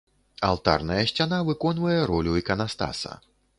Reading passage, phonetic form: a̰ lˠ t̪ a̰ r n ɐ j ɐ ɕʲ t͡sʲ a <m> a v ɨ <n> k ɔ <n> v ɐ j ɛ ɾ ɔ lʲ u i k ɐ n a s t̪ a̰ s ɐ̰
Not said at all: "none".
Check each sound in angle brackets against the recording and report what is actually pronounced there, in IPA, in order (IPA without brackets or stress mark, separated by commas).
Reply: n, none, n